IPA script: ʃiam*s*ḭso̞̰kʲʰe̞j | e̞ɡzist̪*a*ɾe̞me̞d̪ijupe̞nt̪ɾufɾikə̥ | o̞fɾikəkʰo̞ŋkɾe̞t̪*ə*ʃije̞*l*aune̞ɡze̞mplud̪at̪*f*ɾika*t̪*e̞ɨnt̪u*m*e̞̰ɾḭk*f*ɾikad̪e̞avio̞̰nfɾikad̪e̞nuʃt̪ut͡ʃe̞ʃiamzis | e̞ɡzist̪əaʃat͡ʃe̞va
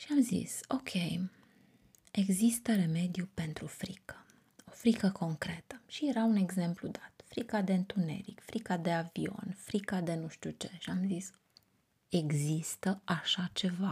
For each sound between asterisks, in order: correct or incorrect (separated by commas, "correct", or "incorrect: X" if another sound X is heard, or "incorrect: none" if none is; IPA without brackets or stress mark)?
incorrect: z, incorrect: ə, correct, incorrect: ɾ, correct, incorrect: d̪, incorrect: n, correct